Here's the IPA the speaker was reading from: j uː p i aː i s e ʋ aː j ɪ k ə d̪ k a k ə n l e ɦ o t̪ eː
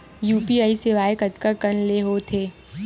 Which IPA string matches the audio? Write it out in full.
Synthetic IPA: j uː p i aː i s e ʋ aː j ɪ k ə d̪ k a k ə n l e ɦ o t̪ʰ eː